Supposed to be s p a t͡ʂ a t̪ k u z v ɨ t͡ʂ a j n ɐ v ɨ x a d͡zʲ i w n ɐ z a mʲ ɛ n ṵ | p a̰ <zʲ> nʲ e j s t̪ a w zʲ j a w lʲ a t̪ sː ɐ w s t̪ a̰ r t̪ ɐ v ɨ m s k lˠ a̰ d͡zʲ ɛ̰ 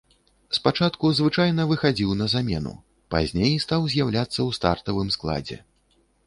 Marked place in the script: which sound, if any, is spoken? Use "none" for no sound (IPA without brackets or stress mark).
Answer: zʲ